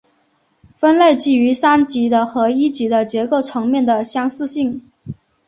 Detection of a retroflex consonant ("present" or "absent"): absent